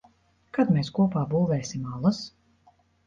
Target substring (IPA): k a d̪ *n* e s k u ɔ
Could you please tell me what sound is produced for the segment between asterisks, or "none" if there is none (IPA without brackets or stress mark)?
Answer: m